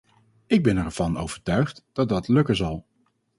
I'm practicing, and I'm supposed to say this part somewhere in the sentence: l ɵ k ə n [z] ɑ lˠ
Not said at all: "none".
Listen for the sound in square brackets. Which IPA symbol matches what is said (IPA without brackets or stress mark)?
z